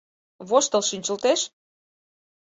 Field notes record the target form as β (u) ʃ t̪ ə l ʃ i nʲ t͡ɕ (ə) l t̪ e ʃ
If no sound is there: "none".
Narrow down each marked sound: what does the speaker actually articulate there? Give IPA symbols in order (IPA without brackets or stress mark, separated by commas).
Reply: o, ə